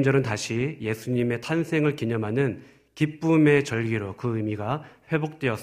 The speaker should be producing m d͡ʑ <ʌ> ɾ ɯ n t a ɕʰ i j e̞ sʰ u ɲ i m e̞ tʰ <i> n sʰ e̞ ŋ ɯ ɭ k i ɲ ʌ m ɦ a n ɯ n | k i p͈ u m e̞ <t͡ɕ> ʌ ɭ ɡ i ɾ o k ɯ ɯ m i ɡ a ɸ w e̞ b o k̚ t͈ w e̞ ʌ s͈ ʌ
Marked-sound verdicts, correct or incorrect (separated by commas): correct, incorrect, correct